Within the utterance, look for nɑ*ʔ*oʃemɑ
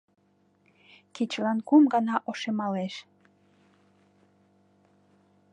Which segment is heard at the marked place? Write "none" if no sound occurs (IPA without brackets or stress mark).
ʔ